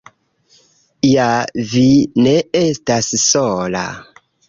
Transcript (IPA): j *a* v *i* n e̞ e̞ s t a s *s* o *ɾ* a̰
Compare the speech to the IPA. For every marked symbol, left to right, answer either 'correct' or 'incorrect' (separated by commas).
correct, correct, correct, incorrect